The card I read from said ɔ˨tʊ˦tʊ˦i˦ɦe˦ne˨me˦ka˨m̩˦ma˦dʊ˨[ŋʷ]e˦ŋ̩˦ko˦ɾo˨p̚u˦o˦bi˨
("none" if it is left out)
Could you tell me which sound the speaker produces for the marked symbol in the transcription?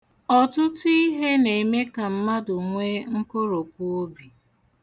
ŋʷ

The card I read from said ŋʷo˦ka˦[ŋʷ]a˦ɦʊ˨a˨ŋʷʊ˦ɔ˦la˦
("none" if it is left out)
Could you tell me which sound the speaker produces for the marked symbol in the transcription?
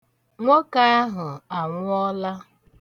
none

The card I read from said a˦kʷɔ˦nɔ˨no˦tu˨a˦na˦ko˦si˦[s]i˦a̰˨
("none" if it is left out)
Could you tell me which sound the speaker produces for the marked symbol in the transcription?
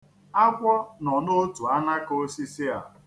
s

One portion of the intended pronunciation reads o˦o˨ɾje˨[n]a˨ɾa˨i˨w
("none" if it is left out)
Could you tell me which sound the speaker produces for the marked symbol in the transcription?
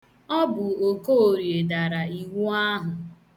d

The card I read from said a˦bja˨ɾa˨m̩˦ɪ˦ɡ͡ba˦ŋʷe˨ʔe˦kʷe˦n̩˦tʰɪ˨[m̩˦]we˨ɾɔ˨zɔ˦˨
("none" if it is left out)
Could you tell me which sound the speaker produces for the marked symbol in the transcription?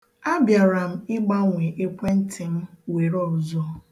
m̩˦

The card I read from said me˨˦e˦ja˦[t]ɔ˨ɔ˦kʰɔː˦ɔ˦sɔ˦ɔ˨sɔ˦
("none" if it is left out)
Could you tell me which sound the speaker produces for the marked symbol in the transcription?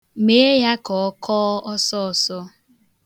k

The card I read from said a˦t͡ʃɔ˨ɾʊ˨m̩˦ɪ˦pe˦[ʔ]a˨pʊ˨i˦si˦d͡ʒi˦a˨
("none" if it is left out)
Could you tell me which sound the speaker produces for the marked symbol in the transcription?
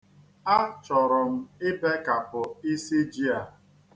k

